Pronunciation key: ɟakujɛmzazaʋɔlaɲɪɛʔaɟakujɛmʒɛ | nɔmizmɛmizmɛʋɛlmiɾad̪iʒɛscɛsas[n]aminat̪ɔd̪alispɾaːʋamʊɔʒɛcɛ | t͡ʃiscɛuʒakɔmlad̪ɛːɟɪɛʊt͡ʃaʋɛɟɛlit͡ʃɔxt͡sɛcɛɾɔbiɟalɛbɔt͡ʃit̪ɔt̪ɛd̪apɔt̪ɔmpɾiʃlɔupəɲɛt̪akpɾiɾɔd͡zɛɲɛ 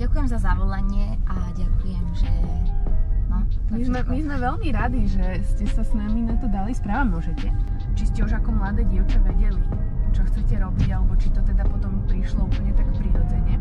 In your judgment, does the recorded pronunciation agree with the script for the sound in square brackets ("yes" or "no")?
yes